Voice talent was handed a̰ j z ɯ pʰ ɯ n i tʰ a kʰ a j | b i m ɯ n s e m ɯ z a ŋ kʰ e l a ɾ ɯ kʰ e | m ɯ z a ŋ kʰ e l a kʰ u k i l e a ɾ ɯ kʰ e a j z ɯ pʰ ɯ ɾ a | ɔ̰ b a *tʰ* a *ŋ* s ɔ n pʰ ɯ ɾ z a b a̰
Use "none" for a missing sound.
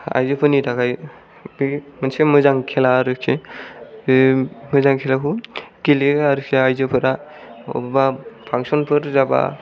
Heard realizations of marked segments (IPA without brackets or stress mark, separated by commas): pʰ, ŋ